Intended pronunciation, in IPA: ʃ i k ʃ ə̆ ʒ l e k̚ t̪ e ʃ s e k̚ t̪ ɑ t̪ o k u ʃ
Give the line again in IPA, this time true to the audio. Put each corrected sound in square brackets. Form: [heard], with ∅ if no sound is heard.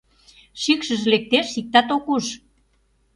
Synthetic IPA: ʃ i k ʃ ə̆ ʒ l e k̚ t̪ e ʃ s [i] k̚ t̪ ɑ t̪ o k u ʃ